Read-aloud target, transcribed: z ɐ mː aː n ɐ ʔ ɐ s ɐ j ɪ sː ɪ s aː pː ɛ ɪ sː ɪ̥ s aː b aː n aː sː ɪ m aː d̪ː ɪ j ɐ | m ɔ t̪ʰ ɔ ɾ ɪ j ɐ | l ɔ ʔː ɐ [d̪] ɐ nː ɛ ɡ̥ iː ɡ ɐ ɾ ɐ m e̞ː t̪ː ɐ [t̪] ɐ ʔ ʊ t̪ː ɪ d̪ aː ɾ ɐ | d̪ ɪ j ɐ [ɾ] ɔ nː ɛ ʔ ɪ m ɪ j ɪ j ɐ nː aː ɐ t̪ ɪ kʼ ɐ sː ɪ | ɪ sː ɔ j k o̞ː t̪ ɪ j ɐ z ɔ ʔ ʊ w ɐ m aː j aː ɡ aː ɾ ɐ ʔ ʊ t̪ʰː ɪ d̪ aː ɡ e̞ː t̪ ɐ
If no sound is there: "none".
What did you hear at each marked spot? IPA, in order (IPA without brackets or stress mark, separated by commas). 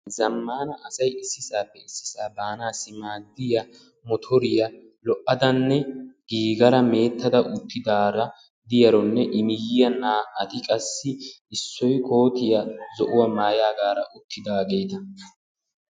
d̪, d̪, ɾ